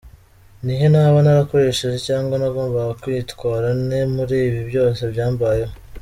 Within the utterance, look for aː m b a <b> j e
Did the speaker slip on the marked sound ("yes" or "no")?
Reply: yes